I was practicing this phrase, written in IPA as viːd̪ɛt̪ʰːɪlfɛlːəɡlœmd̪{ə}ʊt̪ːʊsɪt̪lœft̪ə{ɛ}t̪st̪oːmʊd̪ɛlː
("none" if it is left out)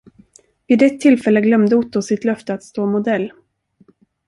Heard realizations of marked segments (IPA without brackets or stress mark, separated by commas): ə, a